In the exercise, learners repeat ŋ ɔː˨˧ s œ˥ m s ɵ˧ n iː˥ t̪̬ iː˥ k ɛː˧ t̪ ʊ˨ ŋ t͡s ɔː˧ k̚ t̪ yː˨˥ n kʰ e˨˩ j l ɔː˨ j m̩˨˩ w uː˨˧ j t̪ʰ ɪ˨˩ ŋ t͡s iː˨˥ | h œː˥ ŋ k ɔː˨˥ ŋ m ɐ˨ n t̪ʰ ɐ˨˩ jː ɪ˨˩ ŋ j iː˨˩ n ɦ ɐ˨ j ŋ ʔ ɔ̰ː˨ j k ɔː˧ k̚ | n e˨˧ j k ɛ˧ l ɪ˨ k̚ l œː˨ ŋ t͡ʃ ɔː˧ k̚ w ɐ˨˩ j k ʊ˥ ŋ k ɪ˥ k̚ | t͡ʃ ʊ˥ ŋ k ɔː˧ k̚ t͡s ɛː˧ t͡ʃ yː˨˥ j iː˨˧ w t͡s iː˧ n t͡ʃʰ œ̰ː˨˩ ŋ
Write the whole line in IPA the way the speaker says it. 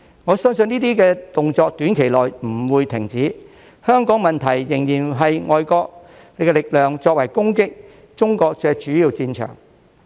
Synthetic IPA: ŋ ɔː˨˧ s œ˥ ŋ s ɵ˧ n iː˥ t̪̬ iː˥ k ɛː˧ t̪ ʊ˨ ŋ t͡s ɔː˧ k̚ t̪ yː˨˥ n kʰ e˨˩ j l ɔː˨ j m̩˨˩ w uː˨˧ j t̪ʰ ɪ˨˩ ŋ t͡s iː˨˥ | h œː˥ ŋ k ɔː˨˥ ŋ m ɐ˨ n t̪ʰ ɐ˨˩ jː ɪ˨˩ ŋ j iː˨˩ n ɦ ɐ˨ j ŋ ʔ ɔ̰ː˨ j k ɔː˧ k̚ | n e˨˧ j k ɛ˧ l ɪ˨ k̚ l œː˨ ŋ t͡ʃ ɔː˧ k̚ w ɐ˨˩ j k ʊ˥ ŋ k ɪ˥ k̚ | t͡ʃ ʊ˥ ŋ k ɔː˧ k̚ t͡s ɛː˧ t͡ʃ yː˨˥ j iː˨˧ w t͡s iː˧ n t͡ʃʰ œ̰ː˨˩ ŋ